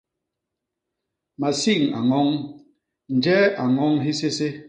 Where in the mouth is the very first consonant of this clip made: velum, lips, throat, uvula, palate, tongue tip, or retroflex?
lips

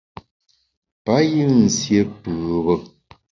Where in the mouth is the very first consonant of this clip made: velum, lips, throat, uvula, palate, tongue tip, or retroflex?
lips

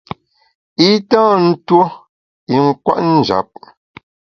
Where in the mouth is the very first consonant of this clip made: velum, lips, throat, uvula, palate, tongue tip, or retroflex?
tongue tip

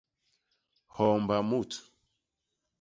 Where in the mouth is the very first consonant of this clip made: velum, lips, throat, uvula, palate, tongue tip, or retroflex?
throat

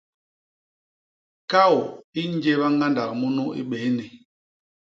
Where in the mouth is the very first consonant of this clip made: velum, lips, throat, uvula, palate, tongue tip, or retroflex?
velum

